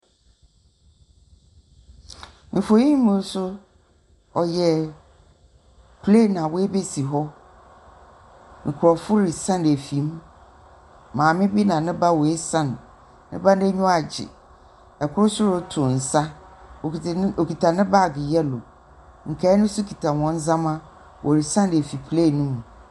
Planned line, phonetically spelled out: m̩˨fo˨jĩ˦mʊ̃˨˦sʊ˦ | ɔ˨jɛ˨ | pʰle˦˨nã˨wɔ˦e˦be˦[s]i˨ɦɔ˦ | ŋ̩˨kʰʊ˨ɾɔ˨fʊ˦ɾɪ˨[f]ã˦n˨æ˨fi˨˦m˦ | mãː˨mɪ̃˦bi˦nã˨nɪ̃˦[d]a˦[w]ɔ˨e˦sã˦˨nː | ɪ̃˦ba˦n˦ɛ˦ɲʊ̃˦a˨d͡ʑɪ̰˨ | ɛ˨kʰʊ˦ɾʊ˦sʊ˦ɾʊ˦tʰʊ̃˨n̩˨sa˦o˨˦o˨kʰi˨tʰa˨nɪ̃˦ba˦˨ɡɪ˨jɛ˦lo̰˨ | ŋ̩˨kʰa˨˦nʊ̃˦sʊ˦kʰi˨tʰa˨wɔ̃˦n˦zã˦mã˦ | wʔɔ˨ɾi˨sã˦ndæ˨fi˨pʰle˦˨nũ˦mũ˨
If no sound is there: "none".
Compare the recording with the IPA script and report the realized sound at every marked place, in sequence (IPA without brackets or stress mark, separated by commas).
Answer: s, s, b, w